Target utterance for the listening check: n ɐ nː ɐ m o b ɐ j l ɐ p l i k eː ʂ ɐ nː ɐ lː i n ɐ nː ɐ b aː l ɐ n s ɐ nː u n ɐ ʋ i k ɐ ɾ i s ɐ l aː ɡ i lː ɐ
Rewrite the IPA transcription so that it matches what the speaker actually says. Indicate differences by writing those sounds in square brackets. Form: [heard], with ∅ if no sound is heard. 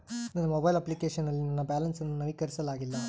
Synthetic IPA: n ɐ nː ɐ m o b ɐ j l ɐ p l i k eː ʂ ɐ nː ɐ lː i n ɐ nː ɐ b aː l ɐ n s ɐ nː u n ɐ ʋ i k ɐ ɾ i s ɐ l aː ɡ i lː ɐ